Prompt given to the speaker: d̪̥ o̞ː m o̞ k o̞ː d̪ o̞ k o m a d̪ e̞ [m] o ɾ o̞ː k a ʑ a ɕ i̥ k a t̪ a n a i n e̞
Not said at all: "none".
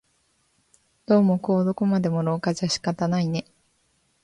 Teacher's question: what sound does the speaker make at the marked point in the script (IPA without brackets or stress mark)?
m